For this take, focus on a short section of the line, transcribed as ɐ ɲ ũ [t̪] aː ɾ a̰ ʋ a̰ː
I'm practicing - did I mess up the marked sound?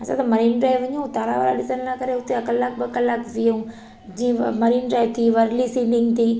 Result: no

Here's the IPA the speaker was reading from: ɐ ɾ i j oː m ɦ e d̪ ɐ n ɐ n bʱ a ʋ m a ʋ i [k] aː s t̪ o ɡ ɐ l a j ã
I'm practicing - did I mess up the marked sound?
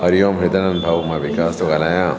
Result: no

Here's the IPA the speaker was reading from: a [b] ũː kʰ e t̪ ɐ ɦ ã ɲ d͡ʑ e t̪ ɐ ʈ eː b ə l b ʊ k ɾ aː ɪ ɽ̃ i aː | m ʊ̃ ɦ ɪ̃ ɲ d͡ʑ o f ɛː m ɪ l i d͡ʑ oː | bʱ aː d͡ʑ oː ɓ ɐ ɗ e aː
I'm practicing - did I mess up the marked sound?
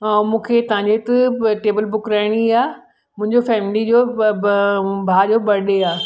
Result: yes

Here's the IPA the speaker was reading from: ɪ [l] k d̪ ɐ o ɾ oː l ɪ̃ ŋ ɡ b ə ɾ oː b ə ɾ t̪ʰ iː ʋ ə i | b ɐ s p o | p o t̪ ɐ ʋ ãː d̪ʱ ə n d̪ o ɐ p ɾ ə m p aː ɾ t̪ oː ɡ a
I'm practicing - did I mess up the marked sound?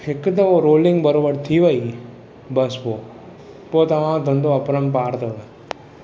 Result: yes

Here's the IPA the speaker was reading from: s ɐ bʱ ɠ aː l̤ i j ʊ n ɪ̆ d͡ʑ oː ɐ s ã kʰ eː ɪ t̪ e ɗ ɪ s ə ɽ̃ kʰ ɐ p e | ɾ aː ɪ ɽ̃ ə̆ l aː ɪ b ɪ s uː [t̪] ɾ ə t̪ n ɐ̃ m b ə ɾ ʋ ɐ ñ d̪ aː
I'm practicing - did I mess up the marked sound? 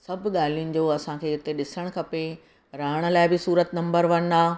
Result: yes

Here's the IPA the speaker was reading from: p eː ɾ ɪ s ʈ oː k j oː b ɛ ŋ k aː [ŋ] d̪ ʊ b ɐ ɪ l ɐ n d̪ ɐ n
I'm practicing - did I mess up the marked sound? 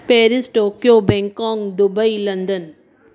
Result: no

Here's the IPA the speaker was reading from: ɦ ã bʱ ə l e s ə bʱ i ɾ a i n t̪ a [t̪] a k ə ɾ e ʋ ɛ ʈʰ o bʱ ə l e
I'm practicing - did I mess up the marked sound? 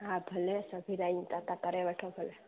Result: no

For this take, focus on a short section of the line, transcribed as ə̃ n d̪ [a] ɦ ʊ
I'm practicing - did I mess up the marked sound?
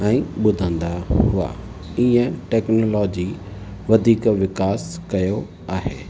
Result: no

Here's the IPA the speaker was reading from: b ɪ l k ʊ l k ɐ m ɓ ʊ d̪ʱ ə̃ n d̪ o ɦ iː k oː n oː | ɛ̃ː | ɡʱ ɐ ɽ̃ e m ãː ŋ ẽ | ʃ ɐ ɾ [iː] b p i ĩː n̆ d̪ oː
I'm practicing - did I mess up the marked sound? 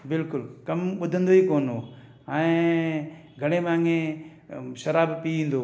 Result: yes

